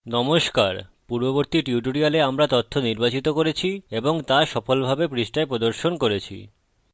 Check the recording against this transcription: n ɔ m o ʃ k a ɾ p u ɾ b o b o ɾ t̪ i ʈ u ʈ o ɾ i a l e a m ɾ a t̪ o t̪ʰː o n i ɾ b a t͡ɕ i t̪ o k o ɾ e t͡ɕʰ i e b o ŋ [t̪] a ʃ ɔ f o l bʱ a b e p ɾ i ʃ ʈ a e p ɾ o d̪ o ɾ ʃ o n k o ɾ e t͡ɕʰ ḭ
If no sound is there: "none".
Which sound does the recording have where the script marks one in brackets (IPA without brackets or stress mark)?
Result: t̪